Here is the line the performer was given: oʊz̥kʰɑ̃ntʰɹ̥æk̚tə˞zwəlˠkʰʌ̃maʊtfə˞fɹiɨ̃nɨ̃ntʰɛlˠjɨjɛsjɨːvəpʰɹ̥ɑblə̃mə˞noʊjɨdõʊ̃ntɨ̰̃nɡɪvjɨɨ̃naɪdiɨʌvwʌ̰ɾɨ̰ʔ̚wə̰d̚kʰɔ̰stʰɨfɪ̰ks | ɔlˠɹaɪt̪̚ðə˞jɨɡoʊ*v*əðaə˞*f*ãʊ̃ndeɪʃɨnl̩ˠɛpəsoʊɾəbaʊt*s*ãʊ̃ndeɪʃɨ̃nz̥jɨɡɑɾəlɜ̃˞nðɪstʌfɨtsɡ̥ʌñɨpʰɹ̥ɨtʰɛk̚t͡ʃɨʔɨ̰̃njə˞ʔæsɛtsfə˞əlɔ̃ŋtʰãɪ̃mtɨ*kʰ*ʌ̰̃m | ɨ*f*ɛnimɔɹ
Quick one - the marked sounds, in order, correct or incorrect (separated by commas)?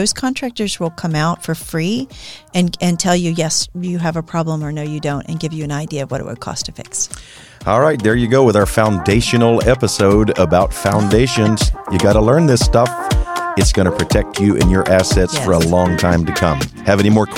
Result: incorrect, correct, incorrect, correct, incorrect